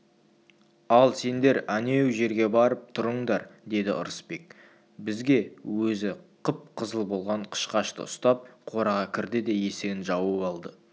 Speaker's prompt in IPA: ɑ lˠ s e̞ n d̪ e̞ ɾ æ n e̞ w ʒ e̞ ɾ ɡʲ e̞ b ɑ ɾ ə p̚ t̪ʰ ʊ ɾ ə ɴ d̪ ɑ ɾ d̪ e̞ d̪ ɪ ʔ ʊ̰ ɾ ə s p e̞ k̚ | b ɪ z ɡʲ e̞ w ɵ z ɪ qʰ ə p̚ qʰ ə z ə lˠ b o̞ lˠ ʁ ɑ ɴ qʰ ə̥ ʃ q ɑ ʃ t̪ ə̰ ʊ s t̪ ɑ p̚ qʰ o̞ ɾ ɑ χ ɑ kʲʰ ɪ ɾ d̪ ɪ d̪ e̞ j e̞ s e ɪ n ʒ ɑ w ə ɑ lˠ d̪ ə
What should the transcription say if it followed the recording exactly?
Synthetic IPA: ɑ lˠ s e̞ n d̪ e̞ ɾ æ n e̞ w ʒ e̞ ɾ ɡʲ e̞ b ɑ ɾ ə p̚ t̪ʰ ʊ ɾ ə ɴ d̪ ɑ ɾ d̪ e̞ d̪ ɪ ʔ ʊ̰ ɾ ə s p e̞ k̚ | b ɪ z ɡʲ e̞ w ɵ z ɪ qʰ ə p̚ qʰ ə z ə lˠ b o̞ lˠ ʁ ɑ ɴ qʰ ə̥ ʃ q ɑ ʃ t̪ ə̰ ʊ s t̪ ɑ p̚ qʰ o̞ ɾ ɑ ʁ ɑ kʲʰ ɪ ɾ d̪ ɪ d̪ e̞ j e̞ s e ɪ n ʒ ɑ w ə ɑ lˠ d̪ ə